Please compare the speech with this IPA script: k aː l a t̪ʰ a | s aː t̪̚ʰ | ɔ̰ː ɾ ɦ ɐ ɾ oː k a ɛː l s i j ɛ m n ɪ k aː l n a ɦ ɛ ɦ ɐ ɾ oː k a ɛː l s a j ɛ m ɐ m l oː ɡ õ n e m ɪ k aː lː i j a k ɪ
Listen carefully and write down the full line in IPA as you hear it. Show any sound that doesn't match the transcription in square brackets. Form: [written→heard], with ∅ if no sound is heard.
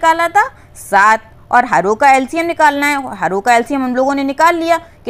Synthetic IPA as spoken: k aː l a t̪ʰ a | s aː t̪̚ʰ | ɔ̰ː ɾ ɦ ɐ ɾ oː k a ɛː l s i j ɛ m n ɪ k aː l n a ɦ ɛ ɦ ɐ ɾ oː k a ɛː l s [a→i] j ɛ m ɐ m l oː ɡ õ n e [m→n] ɪ k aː lː i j a k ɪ